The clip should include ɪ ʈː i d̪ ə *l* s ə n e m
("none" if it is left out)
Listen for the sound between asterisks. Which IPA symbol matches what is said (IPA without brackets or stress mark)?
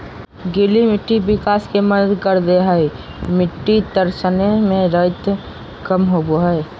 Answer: ɾ